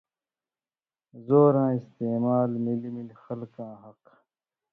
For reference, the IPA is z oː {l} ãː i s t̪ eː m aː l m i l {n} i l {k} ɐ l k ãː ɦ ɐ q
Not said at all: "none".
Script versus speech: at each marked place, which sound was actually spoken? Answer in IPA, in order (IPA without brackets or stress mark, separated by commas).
ɾ, m, x